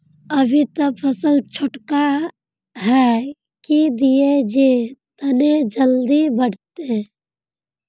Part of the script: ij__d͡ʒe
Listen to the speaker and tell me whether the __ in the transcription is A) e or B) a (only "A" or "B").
A